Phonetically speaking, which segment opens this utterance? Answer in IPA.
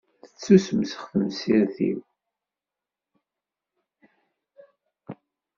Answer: θ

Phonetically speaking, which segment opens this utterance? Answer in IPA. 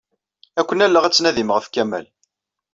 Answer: æ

